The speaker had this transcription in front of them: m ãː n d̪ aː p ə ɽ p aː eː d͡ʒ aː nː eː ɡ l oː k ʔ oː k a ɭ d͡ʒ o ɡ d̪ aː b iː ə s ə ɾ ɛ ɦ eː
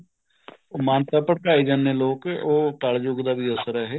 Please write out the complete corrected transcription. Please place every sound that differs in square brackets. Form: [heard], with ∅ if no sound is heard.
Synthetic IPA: m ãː n [t̪] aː p ə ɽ [k] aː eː d͡ʒ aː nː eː [∅] l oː k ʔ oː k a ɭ d͡ʒ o ɡ d̪ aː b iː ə s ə ɾ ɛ ɦ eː